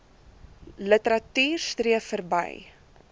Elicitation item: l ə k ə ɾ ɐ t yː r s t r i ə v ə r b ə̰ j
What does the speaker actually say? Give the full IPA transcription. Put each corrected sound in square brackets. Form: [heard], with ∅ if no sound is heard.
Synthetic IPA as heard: l ə [t] ə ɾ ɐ t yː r s t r i ə [f] ə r b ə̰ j